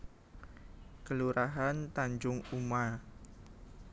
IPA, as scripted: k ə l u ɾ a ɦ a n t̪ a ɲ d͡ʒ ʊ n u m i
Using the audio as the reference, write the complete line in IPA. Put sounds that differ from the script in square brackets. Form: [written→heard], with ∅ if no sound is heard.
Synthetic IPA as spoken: k ə l u ɾ a ɦ a n t̪ a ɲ d͡ʒ ʊ [n→ŋ] u m [i→a]

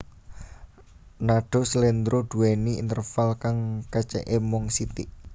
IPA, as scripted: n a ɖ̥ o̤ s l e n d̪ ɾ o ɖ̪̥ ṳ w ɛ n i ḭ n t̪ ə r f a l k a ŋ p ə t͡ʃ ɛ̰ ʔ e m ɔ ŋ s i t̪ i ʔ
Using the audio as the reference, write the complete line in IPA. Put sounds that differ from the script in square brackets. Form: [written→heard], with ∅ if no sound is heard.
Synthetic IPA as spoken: n a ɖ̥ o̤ s l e n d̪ ɾ o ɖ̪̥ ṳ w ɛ n i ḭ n t̪ ə r f a l k a ŋ [p→k] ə t͡ʃ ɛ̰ ʔ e m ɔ ŋ s i t̪ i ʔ

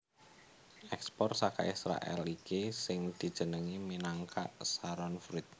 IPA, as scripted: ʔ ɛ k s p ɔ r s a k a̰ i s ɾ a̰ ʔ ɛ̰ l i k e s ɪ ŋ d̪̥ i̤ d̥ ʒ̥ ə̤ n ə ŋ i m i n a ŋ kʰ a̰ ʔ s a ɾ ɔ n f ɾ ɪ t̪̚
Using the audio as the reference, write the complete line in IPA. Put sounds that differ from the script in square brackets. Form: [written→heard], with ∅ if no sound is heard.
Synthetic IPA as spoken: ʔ ɛ k s p ɔ r s a k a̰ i s ɾ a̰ ʔ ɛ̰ l i k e s ɪ ŋ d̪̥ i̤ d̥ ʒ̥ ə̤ n ə ŋ i m i n a ŋ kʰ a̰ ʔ s a ɾ ɔ n f ɾ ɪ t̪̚

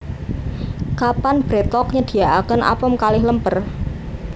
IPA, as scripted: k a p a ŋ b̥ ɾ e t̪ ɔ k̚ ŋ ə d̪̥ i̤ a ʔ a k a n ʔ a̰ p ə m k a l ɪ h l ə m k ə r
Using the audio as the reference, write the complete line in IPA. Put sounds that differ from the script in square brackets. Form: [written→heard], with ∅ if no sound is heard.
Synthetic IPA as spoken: k a p a [ŋ→n] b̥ ɾ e t̪ ɔ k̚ [ŋ→ɲ] ə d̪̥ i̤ a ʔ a k [a→ə] n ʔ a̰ p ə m k a l ɪ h l ə m [k→p] ə r

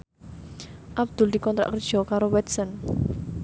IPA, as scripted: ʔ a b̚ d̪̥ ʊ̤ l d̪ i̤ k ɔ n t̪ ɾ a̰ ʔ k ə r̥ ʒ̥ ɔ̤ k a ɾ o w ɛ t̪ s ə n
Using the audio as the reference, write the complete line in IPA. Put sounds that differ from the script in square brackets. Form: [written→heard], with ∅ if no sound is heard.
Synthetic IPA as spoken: ʔ a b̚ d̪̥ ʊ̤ l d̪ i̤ k ɔ n t̪ ɾ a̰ ʔ k ə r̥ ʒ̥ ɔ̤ k a ɾ o w ɛ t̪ s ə n

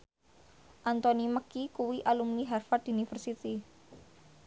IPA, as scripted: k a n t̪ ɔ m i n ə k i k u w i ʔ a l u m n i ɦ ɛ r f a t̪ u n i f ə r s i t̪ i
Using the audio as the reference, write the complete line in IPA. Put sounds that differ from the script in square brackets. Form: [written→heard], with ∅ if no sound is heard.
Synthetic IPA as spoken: [k→ʔ] a n t̪ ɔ [m→n] i [n→m] ə k i k u w i ʔ a l u m n i ɦ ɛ r f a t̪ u n i f ə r s i t̪ i

